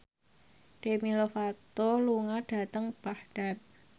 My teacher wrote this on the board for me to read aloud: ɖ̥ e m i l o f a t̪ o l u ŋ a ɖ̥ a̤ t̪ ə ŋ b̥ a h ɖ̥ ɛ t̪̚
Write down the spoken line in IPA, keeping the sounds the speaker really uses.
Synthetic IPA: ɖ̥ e m i l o f a t̪ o l u ŋ a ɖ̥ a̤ t̪ ə ŋ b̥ a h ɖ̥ a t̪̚